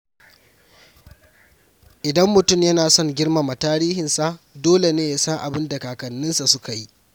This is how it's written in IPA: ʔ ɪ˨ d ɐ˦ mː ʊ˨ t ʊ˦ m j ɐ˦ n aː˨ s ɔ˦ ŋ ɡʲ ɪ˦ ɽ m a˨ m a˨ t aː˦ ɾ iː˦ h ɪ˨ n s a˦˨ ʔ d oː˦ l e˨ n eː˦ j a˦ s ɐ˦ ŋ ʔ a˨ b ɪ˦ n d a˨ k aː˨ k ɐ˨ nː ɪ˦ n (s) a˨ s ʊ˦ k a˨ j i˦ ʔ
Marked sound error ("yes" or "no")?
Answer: no